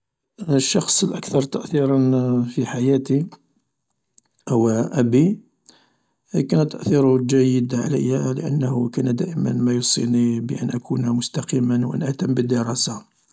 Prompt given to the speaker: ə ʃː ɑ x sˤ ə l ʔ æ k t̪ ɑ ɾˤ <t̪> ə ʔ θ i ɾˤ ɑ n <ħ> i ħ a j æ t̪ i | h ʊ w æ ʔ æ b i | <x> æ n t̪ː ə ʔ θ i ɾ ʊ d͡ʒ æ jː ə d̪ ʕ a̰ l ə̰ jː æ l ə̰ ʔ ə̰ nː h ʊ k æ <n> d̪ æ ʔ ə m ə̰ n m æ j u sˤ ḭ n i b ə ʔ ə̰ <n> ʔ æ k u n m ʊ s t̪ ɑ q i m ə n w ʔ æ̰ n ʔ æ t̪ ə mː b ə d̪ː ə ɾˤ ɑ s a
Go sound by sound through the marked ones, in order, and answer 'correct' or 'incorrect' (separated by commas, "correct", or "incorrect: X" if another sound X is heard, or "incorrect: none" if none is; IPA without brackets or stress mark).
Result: correct, incorrect: f, incorrect: k, correct, correct